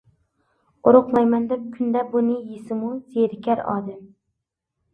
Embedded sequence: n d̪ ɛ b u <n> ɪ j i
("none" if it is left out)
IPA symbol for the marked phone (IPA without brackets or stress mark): n